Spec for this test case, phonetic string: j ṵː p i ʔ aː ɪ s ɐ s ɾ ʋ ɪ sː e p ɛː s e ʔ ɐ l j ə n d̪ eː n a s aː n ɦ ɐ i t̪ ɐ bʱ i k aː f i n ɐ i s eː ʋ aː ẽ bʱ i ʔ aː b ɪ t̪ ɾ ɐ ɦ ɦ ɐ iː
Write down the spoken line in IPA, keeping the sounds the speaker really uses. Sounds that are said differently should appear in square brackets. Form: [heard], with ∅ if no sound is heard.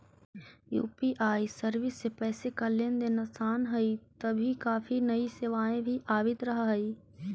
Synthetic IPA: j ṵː p i ʔ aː [i] s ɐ [∅] ɾ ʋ ɪ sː e p ɛː s e [k] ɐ l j ə n d̪ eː n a s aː n ɦ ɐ i t̪ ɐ bʱ i k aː f i n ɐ i s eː ʋ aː ẽ bʱ i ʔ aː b ɪ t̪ ɾ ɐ ɦ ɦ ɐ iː